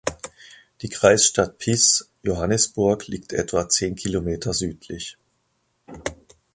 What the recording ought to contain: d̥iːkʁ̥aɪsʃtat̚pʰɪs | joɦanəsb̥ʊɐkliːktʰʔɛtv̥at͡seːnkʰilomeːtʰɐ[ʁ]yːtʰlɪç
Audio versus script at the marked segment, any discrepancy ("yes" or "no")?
yes